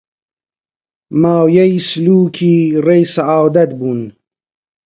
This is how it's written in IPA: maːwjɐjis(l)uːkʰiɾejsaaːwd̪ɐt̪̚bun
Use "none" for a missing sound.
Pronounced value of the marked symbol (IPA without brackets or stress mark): l